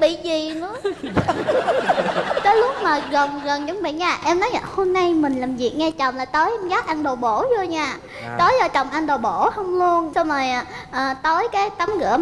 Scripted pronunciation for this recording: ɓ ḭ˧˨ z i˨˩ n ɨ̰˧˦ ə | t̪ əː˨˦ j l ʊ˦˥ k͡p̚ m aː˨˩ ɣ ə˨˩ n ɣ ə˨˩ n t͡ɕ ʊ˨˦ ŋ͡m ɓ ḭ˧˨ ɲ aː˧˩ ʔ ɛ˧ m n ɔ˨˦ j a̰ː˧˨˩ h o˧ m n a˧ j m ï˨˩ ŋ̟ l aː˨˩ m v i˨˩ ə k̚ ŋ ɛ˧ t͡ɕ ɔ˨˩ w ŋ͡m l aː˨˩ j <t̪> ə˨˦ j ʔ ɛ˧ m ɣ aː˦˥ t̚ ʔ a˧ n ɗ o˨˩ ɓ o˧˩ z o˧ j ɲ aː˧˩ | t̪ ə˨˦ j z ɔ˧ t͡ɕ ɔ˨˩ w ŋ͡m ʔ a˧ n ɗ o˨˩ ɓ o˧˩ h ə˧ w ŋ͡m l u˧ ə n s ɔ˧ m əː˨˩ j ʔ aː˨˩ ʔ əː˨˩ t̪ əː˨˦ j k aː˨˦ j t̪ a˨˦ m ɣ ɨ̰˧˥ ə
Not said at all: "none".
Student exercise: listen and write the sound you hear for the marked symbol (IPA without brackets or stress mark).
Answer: t̪